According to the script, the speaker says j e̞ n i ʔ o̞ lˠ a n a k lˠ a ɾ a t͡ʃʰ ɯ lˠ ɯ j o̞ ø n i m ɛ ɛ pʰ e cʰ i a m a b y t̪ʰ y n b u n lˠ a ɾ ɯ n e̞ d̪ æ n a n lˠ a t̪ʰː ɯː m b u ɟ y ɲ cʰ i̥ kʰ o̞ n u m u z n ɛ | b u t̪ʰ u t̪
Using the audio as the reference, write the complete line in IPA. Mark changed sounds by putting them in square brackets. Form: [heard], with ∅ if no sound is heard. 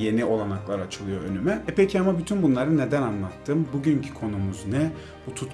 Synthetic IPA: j e̞ n i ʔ o̞ lˠ a n a k lˠ a ɾ a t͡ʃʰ ɯ lˠ ɯ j o̞ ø n [y] m ɛ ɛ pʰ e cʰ i a m a b y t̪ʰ y n b u n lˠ a ɾ ɯ n e̞ d̪ æ n a n lˠ a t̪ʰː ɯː m b u ɟ y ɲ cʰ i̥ kʰ o̞ n u m u z n ɛ | b u t̪ʰ u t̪